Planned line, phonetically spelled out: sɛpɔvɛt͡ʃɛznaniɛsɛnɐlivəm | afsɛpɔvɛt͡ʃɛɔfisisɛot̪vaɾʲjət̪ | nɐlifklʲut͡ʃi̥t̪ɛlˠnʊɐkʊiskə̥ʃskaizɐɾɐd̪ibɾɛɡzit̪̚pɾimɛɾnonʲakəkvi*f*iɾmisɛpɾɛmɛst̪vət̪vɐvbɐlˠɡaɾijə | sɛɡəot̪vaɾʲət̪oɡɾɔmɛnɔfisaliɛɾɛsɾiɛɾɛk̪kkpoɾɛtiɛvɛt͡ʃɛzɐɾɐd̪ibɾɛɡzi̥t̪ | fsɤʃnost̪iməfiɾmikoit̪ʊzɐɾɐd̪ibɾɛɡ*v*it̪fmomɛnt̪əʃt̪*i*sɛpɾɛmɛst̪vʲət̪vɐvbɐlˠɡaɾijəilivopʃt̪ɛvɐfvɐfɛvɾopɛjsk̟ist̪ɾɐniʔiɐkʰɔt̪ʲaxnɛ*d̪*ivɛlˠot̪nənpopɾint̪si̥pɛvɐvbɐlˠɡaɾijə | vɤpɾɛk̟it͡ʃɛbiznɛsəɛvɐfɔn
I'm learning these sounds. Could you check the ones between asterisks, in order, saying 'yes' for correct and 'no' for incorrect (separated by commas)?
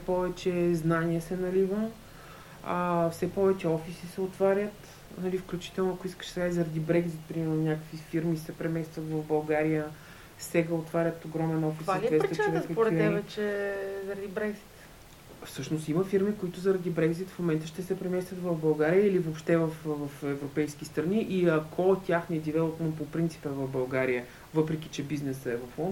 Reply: yes, no, no, yes